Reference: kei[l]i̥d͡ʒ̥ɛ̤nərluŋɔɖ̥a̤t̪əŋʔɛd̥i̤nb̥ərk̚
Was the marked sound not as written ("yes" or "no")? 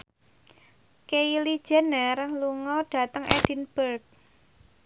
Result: no